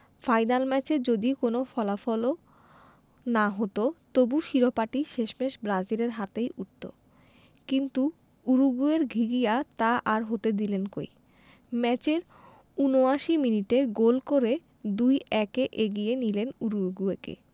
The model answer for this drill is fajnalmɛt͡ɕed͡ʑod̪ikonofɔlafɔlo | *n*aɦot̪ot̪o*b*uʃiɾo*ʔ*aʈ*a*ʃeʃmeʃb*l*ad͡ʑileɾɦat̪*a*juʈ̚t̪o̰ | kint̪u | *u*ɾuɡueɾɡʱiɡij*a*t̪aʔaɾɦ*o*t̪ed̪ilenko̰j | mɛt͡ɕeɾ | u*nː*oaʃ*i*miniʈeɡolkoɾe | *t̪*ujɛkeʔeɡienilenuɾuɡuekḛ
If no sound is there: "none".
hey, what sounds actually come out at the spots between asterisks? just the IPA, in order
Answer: n, b, p, i, ɾ, e, u, a, o, n, i, d̪

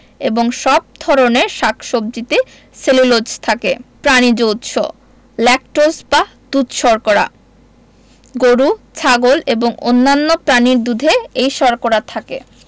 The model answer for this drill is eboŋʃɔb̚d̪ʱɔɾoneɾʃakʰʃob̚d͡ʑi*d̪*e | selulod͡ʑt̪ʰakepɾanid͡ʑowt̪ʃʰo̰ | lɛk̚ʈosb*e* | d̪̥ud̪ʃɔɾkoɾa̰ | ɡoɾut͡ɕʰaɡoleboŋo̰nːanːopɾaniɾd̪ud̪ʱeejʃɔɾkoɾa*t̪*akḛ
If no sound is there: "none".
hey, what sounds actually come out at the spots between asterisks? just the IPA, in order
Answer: t̪, a, t̪ʰ

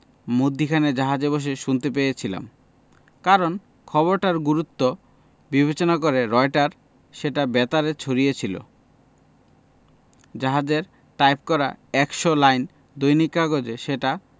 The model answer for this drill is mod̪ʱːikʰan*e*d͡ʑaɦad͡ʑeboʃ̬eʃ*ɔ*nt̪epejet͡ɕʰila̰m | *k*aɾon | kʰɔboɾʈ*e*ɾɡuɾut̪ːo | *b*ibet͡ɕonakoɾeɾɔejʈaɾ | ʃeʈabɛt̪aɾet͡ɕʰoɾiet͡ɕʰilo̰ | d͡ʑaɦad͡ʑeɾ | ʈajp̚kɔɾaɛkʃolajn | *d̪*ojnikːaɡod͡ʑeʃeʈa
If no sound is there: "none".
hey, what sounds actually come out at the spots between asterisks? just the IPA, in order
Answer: e, u, k, a, b, d̪

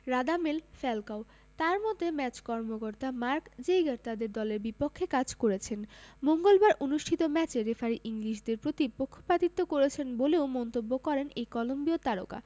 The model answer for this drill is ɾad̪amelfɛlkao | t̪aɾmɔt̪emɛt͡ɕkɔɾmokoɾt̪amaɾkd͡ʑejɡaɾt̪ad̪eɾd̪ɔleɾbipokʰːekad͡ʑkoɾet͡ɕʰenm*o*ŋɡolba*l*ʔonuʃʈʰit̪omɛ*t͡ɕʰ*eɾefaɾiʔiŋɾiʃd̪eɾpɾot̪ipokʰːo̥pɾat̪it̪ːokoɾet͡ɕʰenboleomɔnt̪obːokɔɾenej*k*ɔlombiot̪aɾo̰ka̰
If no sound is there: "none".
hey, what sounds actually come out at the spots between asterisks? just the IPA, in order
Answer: o, ɾ, t͡ɕ, k

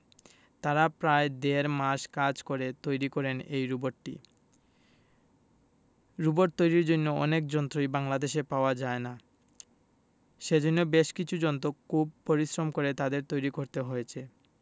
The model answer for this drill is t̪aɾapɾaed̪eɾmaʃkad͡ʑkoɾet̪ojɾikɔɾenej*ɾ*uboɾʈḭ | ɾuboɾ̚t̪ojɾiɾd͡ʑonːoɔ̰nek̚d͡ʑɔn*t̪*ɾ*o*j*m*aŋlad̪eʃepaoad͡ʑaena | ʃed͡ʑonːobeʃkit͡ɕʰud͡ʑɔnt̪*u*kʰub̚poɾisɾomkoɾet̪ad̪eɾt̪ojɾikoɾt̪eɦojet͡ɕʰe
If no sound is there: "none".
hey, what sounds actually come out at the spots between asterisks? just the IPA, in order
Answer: ɾ, t̪, o, b, o

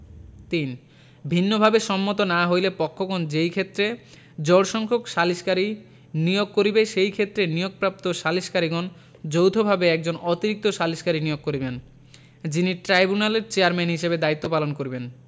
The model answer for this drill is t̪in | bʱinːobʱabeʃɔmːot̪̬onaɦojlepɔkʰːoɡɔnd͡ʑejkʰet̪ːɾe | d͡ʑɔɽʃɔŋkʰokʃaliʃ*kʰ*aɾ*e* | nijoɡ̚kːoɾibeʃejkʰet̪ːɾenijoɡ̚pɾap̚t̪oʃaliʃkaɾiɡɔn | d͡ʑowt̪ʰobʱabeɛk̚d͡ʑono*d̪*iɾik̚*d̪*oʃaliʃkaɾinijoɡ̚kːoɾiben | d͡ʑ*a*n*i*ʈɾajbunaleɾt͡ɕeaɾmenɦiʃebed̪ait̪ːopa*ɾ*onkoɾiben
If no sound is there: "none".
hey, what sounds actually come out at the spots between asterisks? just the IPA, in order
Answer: k, i, t̪, t̪, i, i, l

